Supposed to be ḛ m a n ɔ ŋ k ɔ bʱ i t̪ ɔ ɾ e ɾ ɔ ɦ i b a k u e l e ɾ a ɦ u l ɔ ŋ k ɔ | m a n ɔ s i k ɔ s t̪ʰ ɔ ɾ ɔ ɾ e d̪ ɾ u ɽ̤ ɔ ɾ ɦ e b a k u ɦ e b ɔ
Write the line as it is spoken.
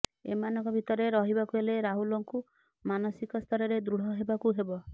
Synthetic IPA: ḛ m a n ɔ ŋ k ɔ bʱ i t̪ ɔ ɾ e ɾ ɔ ɦ i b a k u e l e ɾ a ɦ u l ɔ ŋ k u | m a n ɔ s i k ɔ s t̪ʰ ɔ ɾ ɔ ɾ e d̪ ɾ u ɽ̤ ɔ ɦ e b a k u ɦ e b ɔ